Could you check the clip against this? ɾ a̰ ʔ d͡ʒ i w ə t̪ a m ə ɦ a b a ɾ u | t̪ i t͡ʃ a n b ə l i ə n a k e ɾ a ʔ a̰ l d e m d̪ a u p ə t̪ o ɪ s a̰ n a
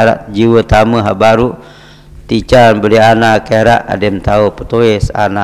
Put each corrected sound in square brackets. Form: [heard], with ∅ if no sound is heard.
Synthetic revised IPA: ɾ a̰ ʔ d͡ʒ i w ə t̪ a m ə ɦ a b a ɾ u | t̪ i t͡ʃ a n b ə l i [a] n a k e ɾ a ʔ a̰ [∅] d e m [t̪] a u p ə t̪ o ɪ s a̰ n a

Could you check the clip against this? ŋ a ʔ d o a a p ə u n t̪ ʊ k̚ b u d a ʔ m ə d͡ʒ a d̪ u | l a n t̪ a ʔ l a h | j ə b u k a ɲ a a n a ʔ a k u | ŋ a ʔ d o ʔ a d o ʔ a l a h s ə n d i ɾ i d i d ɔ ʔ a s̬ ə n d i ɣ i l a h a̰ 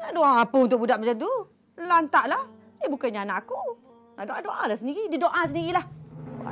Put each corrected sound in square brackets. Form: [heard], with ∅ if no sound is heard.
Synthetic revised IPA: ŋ a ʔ d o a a p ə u n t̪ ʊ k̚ b u d a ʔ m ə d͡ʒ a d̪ u | l a n t̪ a ʔ l a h | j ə b u k a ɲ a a n a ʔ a k u | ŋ a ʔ d o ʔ a d o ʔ a l a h s ə n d i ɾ i d i d [o] ʔ a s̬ ə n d i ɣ i l a h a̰

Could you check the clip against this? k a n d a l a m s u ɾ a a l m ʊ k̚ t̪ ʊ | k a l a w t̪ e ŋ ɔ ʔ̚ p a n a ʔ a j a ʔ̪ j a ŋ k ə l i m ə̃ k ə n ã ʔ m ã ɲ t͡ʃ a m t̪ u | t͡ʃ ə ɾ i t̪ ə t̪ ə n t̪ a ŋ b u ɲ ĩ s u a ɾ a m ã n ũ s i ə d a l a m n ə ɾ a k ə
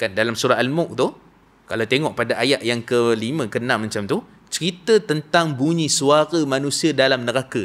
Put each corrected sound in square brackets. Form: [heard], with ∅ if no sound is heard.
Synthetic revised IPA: k a n d a l a m s u ɾ a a l m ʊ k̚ t̪ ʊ | k a l a w t̪ e ŋ ɔ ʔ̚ p a [d] a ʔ a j a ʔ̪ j a ŋ k ə l i m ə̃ k ə n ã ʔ m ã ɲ t͡ʃ a m t̪ u | t͡ʃ ə ɾ i t̪ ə t̪ ə n t̪ a ŋ b u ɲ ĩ s u a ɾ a m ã n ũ s i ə d a l a m n ə ɾ a k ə

